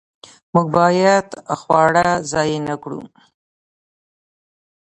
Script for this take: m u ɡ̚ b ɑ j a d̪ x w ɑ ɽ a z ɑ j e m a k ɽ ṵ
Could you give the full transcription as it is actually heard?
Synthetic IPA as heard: m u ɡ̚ b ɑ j a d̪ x w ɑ ɽ a z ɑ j e n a k ɽ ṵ